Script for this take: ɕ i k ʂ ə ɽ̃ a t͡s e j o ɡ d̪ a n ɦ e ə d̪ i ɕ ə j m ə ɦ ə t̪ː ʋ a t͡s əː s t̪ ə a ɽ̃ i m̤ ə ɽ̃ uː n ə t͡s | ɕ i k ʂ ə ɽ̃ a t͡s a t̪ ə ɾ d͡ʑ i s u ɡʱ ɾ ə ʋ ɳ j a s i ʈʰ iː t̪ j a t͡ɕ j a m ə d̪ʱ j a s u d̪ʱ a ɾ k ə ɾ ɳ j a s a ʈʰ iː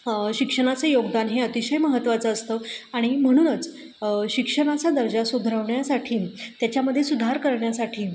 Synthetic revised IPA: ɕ i k ʂ ə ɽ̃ a t͡s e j o ɡ d̪ a n ɦ e ə t̪ i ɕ ə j m ə ɦ ə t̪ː ʋ a t͡s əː s t̪ ə a ɽ̃ i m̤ ə ɽ̃ uː n ə t͡s | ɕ i k ʂ ə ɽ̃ a t͡s a d̪ ə ɾ d͡ʑ a s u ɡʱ ɾ ə ʋ ɳ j a s a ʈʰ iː t̪ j a t͡ɕ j a m ə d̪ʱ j e s u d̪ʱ a ɾ k ə ɾ ɳ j a s a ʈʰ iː